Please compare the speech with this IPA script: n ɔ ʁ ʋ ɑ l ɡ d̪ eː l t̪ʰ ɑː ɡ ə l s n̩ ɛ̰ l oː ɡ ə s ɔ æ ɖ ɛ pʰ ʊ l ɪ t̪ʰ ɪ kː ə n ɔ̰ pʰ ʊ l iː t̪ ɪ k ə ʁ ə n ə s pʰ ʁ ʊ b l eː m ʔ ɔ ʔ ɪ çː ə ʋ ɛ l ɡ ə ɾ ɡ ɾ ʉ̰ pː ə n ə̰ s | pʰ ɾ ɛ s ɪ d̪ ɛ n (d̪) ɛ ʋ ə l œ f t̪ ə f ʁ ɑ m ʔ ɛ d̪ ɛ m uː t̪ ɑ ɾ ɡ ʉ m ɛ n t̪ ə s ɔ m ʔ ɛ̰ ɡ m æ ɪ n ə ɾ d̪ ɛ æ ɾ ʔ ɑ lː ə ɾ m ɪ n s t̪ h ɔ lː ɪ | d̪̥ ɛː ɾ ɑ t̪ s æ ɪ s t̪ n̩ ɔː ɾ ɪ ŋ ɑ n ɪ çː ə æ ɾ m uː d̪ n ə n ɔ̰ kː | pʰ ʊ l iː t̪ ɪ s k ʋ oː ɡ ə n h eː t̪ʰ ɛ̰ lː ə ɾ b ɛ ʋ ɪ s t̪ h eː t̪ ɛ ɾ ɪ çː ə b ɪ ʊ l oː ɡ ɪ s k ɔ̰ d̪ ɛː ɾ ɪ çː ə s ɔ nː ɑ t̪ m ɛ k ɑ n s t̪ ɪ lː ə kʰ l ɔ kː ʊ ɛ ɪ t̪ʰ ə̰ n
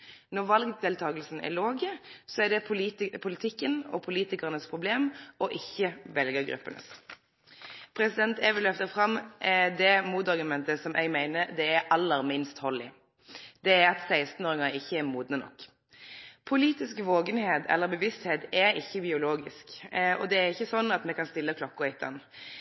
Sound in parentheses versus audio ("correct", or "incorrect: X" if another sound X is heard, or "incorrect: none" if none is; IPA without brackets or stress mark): incorrect: t̪